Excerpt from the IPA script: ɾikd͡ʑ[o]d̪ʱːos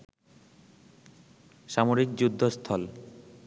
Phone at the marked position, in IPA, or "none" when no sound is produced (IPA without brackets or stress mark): u